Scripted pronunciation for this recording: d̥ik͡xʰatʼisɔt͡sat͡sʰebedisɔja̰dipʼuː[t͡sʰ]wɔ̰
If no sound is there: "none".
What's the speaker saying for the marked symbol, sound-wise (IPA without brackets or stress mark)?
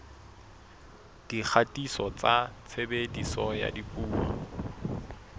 none